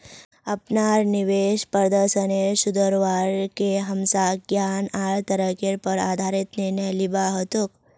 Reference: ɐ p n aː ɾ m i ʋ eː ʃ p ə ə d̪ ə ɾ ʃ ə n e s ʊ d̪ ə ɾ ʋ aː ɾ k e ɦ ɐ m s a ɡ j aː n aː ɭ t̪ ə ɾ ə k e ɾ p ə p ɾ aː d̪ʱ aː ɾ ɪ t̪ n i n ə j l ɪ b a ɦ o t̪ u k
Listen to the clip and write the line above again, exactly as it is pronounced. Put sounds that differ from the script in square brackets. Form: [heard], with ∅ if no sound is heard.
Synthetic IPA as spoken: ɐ p n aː ɾ [n] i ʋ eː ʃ p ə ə d̪ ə ɾ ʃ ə n e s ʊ d̪ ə ɾ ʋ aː ɾ k e ɦ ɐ m s a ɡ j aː n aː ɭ t̪ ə ɾ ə k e ɾ p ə [∅] ɾ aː d̪ʱ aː ɾ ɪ t̪ n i n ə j l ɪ b a ɦ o t̪ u k